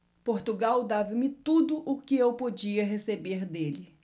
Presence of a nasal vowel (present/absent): absent